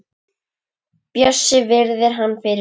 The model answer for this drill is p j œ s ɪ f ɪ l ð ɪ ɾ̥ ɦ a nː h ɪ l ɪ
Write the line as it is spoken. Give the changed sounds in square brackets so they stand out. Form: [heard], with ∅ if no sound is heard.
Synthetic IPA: p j œ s ɪ [v] ɪ [ɾ] ð ɪ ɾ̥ ɦ a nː [f] ɪ [ɾ] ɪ

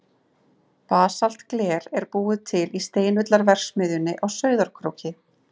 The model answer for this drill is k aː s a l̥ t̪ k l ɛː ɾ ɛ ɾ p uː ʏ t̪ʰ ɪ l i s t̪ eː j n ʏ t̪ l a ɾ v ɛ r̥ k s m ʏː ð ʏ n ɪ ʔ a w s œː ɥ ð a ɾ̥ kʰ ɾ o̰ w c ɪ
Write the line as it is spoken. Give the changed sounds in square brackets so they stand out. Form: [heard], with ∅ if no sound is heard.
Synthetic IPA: [p] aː s a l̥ t̪ k l ɛː ɾ ɛ ɾ p uː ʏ t̪ʰ ɪ l i s t̪ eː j n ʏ t̪ l a ɾ v ɛ r̥ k s m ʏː ð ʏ n ɪ ʔ a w s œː ɥ ð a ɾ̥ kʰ ɾ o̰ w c ɪ

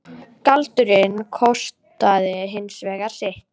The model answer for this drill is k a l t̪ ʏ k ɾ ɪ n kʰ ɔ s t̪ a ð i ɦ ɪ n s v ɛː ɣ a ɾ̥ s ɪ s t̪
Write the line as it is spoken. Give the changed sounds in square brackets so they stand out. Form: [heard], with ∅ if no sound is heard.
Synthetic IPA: k a l t̪ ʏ [∅] ɾ ɪ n kʰ ɔ s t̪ a ð [ɪ] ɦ ɪ n s v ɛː ɣ a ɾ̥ s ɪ [h] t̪

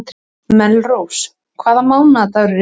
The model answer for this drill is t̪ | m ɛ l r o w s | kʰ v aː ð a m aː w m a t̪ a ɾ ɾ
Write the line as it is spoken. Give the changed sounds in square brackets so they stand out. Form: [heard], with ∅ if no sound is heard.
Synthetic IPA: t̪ | m ɛ l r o w s | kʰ v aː ð a m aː w [n] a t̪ a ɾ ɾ

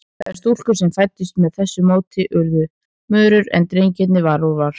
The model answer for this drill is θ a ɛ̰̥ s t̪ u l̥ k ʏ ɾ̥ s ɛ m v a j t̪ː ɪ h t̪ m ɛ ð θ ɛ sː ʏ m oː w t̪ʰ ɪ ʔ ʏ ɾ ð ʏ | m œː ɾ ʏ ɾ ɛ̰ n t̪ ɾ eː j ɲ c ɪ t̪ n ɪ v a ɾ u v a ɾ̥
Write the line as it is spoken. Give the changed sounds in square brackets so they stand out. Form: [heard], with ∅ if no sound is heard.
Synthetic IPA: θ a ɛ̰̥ s t̪ u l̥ k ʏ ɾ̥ s ɛ m [f] a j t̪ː ɪ [s] t̪ m ɛ ð θ ɛ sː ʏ m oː w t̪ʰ ɪ ʔ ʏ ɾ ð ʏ | m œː ɾ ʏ ɾ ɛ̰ n t̪ ɾ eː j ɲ c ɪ t̪ n ɪ v a ɾ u v a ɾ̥

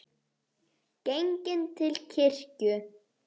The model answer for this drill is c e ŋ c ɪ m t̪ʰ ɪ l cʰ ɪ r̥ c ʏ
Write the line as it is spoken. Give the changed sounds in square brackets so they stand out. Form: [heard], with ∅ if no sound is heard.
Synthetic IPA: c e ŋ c ɪ [n] t̪ʰ ɪ l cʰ ɪ r̥ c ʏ

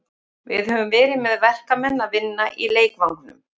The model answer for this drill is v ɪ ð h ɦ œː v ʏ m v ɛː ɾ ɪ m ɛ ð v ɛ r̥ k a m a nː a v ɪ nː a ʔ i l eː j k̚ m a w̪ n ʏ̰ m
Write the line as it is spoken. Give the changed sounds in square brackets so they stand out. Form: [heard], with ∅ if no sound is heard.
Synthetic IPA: v ɪ ð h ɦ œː v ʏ m v ɛː ɾ ɪ m ɛ ð v ɛ r̥ k a m [ɛ] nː a v ɪ nː a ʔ i l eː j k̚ m a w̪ n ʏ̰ m

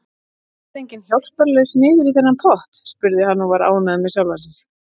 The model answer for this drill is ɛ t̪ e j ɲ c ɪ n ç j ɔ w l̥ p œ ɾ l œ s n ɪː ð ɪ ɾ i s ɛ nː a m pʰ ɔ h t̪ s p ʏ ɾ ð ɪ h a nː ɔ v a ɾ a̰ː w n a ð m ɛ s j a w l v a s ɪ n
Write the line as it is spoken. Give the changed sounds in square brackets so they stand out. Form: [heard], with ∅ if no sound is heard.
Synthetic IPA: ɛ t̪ e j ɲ c ɪ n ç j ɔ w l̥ p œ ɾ l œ s n ɪː ð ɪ ɾ i [θ] ɛ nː a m pʰ ɔ h t̪ s p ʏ ɾ ð ɪ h a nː ɔ v a ɾ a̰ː w n a ð m ɛ s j a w l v a s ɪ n

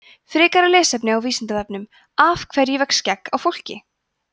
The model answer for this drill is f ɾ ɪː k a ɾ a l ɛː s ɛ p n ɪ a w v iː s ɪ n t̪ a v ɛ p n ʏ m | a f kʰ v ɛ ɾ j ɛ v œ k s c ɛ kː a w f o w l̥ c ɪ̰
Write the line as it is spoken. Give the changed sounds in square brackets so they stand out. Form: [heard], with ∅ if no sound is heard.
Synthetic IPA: f ɾ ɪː k a ɾ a l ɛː s ɛ p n ɪ a w v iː s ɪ n t̪ a v ɛ p n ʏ m | a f kʰ v ɛ ɾ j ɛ v [ɛ] k s c ɛ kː a w f o w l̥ c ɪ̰

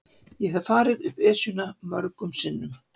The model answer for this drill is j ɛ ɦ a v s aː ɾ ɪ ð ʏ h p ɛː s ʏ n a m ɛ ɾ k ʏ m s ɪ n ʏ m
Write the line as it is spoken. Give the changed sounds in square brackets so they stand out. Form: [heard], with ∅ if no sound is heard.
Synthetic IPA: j ɛ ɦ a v [f] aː ɾ ɪ ð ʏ h p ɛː s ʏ n a m [œ] ɾ k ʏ m s ɪ [nː] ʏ m

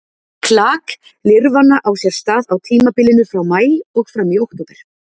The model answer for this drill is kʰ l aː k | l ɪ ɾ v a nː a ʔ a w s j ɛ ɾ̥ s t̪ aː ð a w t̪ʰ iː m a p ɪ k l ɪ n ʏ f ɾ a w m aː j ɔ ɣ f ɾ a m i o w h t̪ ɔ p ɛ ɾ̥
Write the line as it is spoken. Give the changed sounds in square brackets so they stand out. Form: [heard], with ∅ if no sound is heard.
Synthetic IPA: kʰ l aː k | l ɪ ɾ v a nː a ʔ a w s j ɛ ɾ̥ s t̪ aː ð a w t̪ʰ iː m a p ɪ [∅] l ɪ n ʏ f ɾ a w m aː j ɔ ɣ f ɾ a m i o w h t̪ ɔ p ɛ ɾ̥

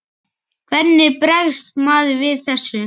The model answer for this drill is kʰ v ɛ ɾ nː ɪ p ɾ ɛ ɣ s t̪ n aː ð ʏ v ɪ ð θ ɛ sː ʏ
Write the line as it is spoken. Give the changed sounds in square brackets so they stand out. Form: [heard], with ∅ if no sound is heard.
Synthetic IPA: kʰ v ɛ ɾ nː ɪ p ɾ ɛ ɣ s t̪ [m] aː ð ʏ v ɪ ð θ ɛ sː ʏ

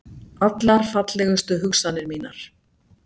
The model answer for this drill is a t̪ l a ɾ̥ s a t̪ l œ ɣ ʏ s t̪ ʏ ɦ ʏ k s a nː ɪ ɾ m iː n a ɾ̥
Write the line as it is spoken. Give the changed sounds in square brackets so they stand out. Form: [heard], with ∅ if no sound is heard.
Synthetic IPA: a t̪ l a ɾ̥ [f] a t̪ l [ɛ] ɣ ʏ s t̪ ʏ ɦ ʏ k s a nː ɪ ɾ m iː n a ɾ̥

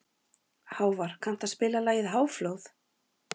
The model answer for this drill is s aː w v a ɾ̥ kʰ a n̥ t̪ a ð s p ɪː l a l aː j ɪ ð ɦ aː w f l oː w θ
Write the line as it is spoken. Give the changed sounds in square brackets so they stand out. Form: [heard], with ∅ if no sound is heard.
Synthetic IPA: [h] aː w v a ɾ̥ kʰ a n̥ t̪ a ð s p ɪː l a l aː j ɪ ð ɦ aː w f l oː w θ

